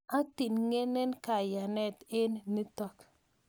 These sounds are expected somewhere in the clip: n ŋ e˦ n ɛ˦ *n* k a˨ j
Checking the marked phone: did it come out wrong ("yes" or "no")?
no